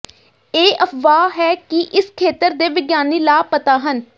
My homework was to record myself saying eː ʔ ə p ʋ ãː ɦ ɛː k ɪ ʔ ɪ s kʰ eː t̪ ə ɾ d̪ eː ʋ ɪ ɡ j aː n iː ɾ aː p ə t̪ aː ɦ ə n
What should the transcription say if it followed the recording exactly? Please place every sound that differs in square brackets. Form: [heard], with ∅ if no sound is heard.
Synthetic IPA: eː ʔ ə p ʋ [aː] ɦ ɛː k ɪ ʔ ɪ s kʰ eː t̪ ə ɾ d̪ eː ʋ ɪ ɡ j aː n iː [l] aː p ə t̪ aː ɦ ə n